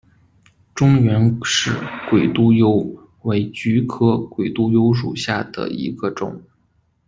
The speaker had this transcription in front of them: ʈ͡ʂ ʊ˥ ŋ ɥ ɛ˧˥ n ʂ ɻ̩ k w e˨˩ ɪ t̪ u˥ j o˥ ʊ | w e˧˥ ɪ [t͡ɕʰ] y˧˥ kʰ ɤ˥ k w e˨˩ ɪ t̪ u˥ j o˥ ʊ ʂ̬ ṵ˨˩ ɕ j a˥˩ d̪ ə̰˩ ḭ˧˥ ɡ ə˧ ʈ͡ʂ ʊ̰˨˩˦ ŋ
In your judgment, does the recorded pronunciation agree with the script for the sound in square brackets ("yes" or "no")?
no